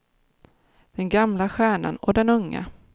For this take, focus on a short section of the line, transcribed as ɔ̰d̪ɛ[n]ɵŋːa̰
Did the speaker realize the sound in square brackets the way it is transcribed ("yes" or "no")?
yes